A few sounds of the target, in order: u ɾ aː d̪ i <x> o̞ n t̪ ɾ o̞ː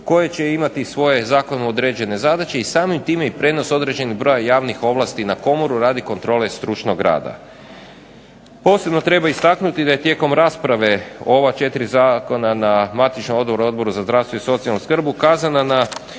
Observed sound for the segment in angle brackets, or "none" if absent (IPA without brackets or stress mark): k